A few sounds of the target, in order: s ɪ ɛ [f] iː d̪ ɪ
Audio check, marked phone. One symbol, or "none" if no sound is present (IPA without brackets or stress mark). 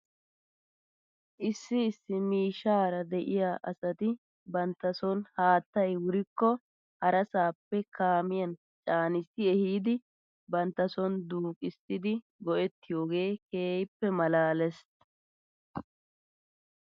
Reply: h